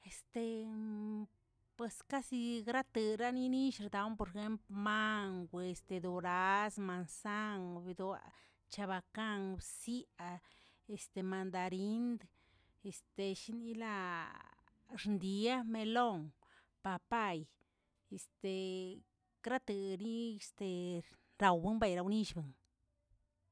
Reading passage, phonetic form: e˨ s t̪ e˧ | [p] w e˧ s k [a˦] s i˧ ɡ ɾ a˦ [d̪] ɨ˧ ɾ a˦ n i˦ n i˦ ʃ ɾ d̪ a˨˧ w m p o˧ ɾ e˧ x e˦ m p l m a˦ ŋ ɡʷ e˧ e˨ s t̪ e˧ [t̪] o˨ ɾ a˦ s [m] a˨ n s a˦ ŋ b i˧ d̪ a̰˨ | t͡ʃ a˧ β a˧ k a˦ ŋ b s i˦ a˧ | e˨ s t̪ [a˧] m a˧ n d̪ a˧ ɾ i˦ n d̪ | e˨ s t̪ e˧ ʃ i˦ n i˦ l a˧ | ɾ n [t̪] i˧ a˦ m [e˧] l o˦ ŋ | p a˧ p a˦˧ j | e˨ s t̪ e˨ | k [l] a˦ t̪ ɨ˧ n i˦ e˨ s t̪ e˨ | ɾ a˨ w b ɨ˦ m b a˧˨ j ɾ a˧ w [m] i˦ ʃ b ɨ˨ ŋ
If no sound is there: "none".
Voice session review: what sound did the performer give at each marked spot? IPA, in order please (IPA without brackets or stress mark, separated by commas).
p, a˦, t̪, d̪, m, e˧, d̪, e˧, ɾ, n